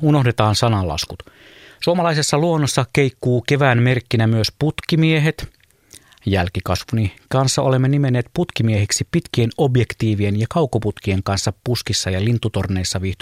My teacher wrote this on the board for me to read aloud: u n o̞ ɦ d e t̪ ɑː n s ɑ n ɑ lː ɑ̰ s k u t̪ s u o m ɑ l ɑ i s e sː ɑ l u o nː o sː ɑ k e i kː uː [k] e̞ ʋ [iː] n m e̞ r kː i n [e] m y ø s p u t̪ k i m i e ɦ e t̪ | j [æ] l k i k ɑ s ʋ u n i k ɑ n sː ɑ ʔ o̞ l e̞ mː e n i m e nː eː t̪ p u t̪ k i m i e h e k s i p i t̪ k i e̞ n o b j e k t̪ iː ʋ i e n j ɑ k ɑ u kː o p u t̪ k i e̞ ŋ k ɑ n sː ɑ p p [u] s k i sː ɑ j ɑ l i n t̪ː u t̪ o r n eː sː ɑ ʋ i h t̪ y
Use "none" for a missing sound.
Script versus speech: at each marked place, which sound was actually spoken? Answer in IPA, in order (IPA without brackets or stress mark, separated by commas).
k, æː, æ, æ, u